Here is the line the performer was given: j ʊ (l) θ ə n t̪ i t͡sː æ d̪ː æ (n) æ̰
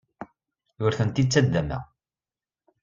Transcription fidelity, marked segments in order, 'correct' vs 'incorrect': incorrect: ɾ, incorrect: m

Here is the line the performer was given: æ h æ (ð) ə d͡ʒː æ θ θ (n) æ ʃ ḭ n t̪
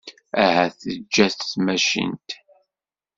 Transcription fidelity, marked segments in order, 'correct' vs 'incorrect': incorrect: θ, incorrect: m

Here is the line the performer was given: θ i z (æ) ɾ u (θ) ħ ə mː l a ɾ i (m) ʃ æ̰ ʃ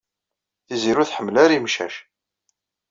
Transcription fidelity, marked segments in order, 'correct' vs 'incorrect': incorrect: i, correct, correct

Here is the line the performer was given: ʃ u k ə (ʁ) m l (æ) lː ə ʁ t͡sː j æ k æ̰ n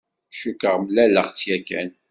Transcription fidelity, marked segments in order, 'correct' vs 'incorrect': correct, correct

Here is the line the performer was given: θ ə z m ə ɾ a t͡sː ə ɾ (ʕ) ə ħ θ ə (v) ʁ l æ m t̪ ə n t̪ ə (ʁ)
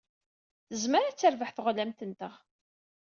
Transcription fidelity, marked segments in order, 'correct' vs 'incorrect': incorrect: v, incorrect: none, correct

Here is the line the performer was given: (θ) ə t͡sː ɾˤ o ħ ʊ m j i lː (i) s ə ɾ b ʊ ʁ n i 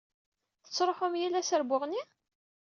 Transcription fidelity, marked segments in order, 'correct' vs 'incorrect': correct, incorrect: æ

